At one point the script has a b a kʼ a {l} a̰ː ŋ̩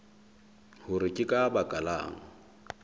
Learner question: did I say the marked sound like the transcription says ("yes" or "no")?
yes